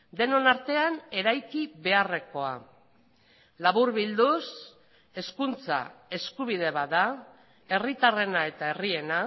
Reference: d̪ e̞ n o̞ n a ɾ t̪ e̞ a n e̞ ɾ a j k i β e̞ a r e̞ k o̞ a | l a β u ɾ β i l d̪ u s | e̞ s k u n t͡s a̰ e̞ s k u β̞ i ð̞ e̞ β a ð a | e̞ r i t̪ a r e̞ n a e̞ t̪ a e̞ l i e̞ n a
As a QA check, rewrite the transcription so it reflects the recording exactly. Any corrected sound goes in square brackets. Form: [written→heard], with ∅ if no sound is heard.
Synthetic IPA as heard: d̪ e̞ n o̞ n a ɾ t̪ e̞ a n e̞ ɾ a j k i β e̞ a r e̞ k o̞ a | l a β u ɾ β i l d̪ u s | e̞ s k u n t͡s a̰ e̞ s k u β̞ i ð̞ e̞ β a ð a | e̞ r i t̪ a r e̞ n a e̞ t̪ a e̞ [l→r] i e̞ n a